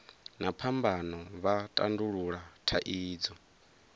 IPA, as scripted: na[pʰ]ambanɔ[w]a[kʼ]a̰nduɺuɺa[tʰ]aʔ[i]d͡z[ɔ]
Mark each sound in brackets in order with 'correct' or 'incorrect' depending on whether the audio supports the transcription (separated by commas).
correct, incorrect, incorrect, correct, incorrect, correct